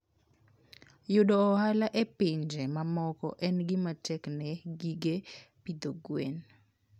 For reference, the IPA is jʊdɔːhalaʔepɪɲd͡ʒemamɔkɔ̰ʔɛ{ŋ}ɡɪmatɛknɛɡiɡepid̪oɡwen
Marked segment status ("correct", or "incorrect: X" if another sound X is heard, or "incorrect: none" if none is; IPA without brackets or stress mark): incorrect: n